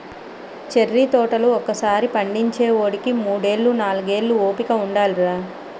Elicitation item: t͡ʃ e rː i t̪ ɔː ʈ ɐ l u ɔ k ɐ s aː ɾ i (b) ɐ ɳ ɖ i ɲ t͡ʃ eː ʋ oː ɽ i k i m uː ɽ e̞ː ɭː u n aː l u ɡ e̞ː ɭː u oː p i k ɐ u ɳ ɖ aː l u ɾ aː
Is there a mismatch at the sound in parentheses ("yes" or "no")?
yes